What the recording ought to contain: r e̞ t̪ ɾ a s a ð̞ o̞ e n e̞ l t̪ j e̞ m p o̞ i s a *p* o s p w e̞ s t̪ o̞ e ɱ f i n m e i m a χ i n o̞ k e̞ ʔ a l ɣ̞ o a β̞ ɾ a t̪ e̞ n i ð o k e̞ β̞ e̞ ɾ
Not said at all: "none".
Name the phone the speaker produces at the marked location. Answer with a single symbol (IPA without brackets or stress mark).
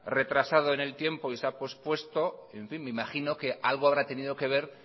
p